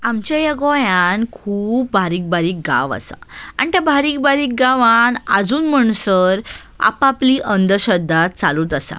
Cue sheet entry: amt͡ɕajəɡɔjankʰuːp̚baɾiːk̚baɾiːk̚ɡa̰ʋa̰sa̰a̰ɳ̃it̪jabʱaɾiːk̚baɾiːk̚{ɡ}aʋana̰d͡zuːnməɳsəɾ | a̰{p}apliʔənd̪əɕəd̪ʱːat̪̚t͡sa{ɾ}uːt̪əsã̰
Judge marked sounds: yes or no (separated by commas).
yes, yes, no